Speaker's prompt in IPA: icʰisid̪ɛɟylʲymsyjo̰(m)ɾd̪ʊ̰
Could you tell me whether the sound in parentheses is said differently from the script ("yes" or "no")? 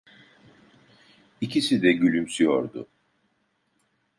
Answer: yes